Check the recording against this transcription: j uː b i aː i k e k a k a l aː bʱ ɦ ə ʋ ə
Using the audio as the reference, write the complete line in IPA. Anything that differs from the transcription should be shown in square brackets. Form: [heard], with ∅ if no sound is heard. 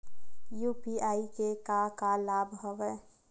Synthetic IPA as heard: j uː [p] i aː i k e k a k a l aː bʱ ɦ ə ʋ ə